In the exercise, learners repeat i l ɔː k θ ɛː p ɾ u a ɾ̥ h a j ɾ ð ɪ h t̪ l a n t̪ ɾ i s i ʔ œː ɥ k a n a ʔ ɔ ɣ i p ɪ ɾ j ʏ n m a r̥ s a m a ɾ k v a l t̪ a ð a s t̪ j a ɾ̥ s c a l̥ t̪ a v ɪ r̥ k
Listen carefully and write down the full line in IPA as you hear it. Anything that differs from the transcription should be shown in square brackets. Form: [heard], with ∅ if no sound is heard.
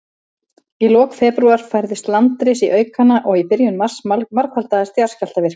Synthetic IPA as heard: i l ɔː k [f] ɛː p ɾ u a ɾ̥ [f] a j ɾ ð ɪ [s] t̪ l a n t̪ ɾ [ɪ] s i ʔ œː ɥ k a n a ʔ ɔ ɣ i p ɪ ɾ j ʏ n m a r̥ s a m a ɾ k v a l t̪ a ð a s t̪ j a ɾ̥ s c a l̥ t̪ a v ɪ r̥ k